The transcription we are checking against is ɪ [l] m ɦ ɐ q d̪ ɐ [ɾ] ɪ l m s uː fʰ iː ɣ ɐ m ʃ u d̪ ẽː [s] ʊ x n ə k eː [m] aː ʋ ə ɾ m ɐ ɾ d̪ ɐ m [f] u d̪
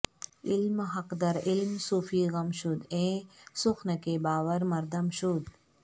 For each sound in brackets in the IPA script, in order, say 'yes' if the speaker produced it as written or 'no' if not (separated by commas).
yes, yes, yes, no, no